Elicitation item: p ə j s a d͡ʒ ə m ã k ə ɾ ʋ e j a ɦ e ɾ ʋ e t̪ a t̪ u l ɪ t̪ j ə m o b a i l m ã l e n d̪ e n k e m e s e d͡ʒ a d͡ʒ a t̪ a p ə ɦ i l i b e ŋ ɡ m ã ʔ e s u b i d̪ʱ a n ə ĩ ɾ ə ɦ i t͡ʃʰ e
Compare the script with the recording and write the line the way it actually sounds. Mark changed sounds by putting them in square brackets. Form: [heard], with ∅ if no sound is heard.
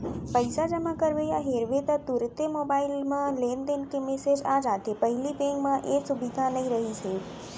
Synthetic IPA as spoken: p ə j s a d͡ʒ ə m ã k ə ɾ ʋ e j a ɦ e ɾ ʋ e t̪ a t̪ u [ɾ] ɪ t̪ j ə m o b a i l m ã l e n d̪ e n k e m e s e d͡ʒ a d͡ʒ a t̪ [e] p ə ɦ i l i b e ŋ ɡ m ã ʔ e s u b i d̪ʱ a n ə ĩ ɾ ə ɦ i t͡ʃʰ e

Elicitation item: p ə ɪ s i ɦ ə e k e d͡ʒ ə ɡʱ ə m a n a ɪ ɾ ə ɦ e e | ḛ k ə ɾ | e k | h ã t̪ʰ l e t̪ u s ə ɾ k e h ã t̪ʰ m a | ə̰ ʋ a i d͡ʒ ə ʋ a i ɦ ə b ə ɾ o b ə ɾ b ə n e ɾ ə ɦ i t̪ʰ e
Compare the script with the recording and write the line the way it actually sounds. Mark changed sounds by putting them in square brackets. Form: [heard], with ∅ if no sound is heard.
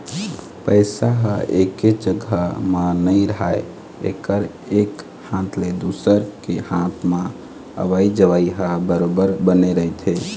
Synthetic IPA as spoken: p ə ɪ s [a] ɦ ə e k e d͡ʒ ə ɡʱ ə m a n [ə] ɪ ɾ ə ɦ [a] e | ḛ k ə ɾ | e k | h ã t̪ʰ l e [d̪] u s ə ɾ k e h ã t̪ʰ m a | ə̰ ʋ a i d͡ʒ ə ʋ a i ɦ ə b ə ɾ o b ə ɾ b ə n e ɾ ə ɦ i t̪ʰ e

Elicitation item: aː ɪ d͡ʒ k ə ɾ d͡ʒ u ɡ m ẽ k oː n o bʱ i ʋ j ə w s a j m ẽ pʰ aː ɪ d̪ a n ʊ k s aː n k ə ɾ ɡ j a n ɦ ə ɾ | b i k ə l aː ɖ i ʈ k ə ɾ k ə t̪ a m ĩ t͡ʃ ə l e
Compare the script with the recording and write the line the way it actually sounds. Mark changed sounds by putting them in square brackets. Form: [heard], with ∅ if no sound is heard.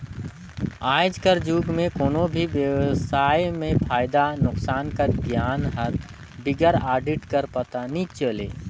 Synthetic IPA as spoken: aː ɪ d͡ʒ k ə ɾ d͡ʒ u ɡ m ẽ k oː n o bʱ i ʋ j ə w s a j m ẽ pʰ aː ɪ d̪ a n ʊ k s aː n k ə ɾ ɡ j a n ɦ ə ɾ | b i [ɡ] ə [ɾ] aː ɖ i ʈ k ə ɾ [p] ə t̪ a [n] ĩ t͡ʃ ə l e

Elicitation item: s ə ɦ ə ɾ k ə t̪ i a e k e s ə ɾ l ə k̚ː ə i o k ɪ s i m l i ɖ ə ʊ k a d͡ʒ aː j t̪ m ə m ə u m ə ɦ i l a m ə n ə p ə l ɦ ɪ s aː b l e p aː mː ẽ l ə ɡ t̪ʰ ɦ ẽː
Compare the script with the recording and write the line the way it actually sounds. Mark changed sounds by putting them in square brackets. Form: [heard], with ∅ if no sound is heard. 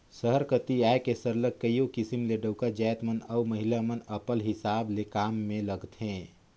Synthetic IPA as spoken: s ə ɦ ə ɾ k ə t̪ i a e k e s ə ɾ l ə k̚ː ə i o k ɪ s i m l [e] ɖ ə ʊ k a d͡ʒ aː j t̪ m ə [n] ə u m ə ɦ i l a m ə n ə p ə l ɦ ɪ s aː b l e [k] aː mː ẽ l ə ɡ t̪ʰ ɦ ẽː

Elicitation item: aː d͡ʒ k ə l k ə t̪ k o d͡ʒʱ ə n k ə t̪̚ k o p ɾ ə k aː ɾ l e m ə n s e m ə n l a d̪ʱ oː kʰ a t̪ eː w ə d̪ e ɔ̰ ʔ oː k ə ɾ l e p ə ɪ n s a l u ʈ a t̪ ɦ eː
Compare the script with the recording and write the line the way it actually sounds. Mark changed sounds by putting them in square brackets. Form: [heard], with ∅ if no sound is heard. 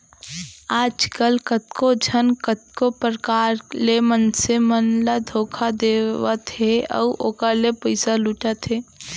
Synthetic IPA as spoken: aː d͡ʒ k ə l k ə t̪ k o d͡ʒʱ ə n k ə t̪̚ k o p ɾ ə k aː ɾ l e m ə n s e m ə n l a d̪ʱ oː kʰ a [d̪] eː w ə [t̪] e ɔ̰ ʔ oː k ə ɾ l e p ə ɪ [∅] s a l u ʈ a t̪ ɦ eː

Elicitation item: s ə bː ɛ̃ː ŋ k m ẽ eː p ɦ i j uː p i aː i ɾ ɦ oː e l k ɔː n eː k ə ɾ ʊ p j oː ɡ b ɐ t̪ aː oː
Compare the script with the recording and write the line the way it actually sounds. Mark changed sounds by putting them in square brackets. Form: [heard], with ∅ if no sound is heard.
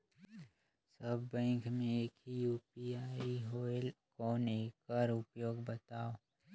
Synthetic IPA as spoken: s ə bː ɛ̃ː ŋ k m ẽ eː [k] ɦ i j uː p i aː i [∅] ɦ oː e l k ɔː n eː k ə ɾ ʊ p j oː ɡ b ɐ t̪ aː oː

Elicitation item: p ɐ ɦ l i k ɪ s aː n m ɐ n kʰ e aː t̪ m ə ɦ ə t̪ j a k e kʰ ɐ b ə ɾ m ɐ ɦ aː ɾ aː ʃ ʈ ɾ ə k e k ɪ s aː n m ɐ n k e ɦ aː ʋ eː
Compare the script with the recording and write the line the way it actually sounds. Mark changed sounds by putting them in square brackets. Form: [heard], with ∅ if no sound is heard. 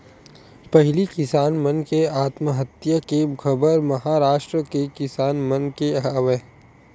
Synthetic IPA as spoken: p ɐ ɦ l i k ɪ s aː n m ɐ n [k] e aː t̪ m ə ɦ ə t̪ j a k e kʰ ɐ b ə ɾ m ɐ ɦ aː ɾ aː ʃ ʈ ɾ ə k e k ɪ s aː n m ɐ n k e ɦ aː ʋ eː

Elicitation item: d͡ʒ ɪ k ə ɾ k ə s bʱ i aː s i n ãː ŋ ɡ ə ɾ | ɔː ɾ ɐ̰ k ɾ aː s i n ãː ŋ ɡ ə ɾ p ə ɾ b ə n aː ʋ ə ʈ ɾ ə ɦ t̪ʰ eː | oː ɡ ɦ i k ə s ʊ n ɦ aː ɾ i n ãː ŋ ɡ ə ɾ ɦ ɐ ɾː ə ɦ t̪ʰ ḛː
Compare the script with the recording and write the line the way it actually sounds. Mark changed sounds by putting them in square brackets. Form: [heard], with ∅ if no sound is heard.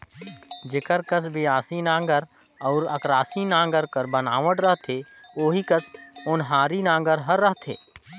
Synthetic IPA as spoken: d͡ʒ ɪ k ə ɾ k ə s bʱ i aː s i n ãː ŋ ɡ ə ɾ | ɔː ɾ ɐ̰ k ɾ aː s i n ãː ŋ ɡ ə ɾ [k] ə ɾ b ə n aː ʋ ə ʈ ɾ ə ɦ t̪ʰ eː | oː [∅] ɦ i k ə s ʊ n ɦ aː ɾ i n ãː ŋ ɡ ə ɾ ɦ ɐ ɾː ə ɦ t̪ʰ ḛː

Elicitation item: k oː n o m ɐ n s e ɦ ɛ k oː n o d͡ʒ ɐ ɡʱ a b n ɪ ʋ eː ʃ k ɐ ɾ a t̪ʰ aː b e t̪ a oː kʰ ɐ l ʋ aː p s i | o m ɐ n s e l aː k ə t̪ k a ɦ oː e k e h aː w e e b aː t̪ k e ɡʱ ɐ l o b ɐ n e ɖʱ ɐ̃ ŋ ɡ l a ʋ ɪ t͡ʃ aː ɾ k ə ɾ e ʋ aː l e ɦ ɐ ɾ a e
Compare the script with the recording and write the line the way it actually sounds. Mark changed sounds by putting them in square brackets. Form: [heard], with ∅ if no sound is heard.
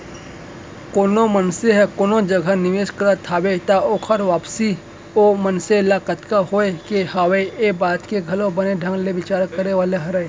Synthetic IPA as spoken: k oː n o m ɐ n s e ɦ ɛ k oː n o d͡ʒ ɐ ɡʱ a [∅] n ɪ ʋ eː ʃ k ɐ ɾ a t̪ʰ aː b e t̪ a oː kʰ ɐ [ɾ] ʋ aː p s i | o m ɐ n s e l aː k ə t̪ k a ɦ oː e k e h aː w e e b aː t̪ k e ɡʱ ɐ l o b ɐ n e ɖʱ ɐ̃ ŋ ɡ l [e] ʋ ɪ t͡ʃ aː ɾ k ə ɾ e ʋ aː l e ɦ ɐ ɾ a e

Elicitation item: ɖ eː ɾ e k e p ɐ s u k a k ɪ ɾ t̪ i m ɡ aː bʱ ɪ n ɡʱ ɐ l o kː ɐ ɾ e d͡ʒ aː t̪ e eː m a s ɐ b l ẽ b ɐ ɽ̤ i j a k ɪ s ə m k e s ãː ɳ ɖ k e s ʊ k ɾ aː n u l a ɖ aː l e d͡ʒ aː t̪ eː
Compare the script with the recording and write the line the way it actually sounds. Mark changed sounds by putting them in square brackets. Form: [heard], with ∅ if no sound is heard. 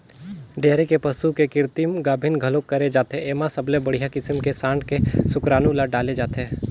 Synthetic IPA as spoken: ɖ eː ɾ e k e p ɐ s u k [e] k ɪ ɾ t̪ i m ɡ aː bʱ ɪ n ɡʱ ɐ l o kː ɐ ɾ e d͡ʒ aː t̪ e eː m a s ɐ b l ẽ b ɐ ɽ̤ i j a k ɪ s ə m k e s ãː ɳ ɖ k e s ʊ k ɾ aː n u l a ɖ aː l e d͡ʒ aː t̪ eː

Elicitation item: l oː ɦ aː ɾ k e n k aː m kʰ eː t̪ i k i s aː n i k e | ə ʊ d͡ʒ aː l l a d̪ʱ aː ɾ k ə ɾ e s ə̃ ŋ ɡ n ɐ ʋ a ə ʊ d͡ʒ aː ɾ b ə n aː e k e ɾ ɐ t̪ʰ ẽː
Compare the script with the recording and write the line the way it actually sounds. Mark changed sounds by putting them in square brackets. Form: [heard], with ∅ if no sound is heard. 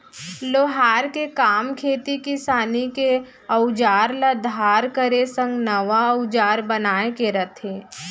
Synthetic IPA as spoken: l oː ɦ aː ɾ k e [∅] k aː m kʰ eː t̪ i k i s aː n i k e | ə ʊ d͡ʒ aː [ɾ] l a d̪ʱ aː ɾ k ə ɾ e s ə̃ ŋ ɡ n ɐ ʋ a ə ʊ d͡ʒ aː ɾ b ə n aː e k e ɾ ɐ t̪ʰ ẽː

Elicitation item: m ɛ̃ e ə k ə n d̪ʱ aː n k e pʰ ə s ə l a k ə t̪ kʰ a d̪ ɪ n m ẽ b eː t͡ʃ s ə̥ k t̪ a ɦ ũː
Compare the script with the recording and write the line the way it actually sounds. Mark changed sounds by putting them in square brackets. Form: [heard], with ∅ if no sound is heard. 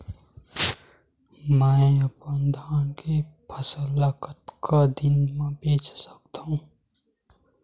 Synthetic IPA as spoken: m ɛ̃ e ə [p] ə n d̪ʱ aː n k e pʰ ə s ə l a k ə t̪ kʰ a d̪ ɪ n m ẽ b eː t͡ʃ s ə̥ k t̪ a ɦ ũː

